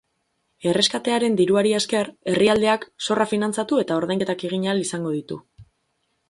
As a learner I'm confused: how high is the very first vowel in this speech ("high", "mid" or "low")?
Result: mid